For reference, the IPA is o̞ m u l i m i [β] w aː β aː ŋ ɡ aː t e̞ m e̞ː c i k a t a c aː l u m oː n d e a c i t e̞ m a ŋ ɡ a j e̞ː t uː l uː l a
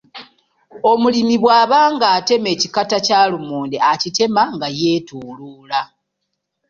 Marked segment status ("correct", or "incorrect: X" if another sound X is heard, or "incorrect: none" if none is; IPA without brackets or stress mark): correct